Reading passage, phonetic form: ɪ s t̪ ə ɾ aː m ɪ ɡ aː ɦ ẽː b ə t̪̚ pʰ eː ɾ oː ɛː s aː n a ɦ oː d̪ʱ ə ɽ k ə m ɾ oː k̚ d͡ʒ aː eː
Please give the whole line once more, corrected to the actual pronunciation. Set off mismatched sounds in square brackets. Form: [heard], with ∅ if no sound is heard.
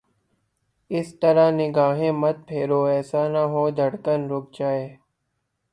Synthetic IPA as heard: ɪ s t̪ ə ɾ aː [n] ɪ ɡ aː ɦ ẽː [m] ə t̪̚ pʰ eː ɾ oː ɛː s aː n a ɦ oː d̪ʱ ə ɽ k ə [n] ɾ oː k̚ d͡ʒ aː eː